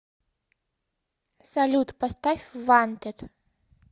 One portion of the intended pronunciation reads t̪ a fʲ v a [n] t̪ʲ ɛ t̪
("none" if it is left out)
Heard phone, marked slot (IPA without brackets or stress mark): n